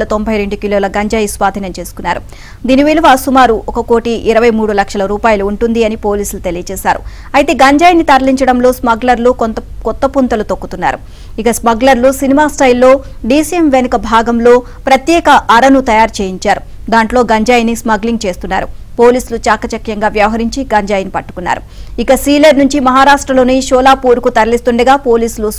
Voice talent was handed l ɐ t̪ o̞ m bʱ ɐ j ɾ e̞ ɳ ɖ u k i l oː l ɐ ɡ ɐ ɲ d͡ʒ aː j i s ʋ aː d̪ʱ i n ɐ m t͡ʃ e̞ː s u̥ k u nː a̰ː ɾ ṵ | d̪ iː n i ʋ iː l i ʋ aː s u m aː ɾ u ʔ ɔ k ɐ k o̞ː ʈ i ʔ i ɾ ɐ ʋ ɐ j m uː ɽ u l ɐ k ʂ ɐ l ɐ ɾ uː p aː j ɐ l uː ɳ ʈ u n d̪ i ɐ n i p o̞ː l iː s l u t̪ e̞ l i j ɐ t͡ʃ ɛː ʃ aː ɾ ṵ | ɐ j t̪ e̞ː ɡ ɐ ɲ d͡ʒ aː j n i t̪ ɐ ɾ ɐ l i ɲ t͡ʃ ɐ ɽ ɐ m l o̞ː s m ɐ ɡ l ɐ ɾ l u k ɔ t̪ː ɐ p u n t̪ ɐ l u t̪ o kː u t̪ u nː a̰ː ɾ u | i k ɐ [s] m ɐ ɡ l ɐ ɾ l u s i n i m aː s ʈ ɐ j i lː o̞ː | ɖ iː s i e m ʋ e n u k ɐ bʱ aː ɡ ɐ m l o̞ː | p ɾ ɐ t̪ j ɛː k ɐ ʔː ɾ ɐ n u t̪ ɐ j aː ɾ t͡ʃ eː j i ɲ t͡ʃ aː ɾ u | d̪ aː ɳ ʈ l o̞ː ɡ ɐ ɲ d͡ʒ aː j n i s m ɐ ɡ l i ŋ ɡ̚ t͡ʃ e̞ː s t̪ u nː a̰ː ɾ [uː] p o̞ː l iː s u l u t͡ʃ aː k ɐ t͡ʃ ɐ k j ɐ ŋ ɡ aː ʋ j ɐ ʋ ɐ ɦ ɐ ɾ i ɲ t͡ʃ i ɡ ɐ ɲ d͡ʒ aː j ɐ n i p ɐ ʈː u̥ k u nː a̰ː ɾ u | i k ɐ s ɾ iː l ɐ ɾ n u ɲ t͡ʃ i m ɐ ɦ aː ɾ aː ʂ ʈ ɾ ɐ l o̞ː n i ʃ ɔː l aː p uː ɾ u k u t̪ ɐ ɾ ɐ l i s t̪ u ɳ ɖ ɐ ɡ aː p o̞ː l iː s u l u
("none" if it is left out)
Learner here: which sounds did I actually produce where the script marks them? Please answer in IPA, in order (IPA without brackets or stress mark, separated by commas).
s, u